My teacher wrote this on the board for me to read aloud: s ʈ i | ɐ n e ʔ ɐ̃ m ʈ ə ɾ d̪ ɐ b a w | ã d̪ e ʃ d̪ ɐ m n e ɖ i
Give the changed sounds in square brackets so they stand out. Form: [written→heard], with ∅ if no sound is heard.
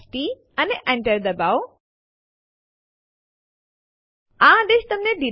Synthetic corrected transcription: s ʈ i | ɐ n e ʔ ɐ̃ [m→ɳ] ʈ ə ɾ d̪ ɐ b a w | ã d̪ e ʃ [d̪→t̪] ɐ m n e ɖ i

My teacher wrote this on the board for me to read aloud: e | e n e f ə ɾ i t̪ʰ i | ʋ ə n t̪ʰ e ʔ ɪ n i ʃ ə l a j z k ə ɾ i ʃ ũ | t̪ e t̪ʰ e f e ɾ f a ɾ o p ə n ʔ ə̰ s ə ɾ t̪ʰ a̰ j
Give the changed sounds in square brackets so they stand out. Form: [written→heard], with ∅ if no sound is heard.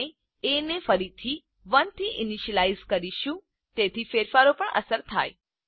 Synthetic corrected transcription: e | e n e f ə ɾ i t̪ʰ i | ʋ ə n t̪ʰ [e→i] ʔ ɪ n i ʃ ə l a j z k ə ɾ i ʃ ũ | t̪ e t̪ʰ [e→i] f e ɾ f a ɾ o p ə [n→ɳ] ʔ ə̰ s ə ɾ t̪ʰ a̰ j

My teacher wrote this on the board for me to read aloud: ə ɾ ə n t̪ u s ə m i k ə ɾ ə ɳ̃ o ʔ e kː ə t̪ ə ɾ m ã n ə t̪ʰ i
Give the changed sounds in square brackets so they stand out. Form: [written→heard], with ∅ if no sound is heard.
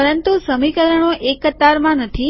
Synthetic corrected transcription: ə ɾ ə n t̪ u s ə m i k ə ɾ ə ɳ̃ o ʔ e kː ə t̪ [ə→a] ɾ m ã n ə t̪ʰ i

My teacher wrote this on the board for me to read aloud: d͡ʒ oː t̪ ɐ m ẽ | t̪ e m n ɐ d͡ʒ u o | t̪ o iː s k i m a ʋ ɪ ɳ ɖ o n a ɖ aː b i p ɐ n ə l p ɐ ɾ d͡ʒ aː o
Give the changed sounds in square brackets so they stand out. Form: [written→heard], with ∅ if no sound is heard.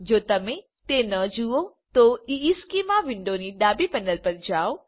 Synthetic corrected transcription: d͡ʒ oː t̪ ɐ m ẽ | t̪ e [m→∅] n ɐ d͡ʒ u o | t̪ o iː s k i m a ʋ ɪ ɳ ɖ o n [a→i] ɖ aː b i p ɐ n ə l p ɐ ɾ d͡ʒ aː o

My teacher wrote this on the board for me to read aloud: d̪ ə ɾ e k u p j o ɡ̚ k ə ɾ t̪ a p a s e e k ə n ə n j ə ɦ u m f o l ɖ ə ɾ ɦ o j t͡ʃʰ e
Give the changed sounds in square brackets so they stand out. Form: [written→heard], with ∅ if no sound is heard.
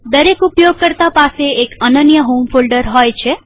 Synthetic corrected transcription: d̪ ə ɾ e k u p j o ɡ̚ k ə ɾ t̪ a p a s e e k ə n ə n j ə ɦ [u→o] m f o l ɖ ə ɾ ɦ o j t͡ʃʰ e

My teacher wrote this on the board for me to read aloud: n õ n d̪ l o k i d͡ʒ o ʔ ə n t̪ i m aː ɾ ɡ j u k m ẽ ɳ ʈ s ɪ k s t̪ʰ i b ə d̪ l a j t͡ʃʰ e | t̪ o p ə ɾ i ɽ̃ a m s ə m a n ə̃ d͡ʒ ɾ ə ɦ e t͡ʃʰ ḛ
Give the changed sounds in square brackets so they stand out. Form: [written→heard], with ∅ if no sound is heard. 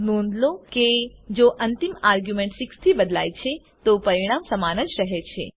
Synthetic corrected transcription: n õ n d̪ l o k [i→e] d͡ʒ o ʔ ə n t̪ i m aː ɾ ɡ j u [k→∅] m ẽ ɳ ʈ s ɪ k s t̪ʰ i b ə d̪ l a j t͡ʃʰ e | t̪ o p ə ɾ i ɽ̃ a m s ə m a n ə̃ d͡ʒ ɾ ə ɦ e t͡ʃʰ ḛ

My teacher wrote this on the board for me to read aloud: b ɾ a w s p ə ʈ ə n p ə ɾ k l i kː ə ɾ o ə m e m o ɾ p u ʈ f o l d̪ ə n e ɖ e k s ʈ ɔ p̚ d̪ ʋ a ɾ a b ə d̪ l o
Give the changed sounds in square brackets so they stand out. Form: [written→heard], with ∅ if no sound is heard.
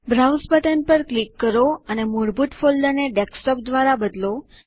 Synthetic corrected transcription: b ɾ a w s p ə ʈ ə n p ə ɾ k l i kː ə ɾ o ə [m→n] e m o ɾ [p→b] u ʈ f o l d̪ ə n e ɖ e k s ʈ ɔ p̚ d̪ ʋ a ɾ a b ə d̪ l o

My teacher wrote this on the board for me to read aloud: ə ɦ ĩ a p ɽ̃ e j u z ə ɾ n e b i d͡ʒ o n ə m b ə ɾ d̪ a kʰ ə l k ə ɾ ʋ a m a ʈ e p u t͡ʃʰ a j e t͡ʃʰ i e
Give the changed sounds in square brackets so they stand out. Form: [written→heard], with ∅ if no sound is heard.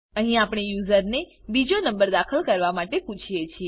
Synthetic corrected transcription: ə ɦ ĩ a p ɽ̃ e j u z ə ɾ n e b i d͡ʒ o n ə m b ə ɾ d̪ a kʰ ə l k ə ɾ ʋ a m a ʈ e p u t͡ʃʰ [a→i] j e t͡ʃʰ i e

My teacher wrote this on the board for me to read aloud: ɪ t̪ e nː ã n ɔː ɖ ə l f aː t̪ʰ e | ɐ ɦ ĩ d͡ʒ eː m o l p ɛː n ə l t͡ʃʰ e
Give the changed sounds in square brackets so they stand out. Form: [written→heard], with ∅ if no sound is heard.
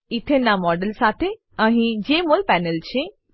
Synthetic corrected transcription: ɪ [t̪→t̪ʰ] e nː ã [n→m] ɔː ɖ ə l [f→s] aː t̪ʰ e | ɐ ɦ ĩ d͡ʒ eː m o l p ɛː n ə l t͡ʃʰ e

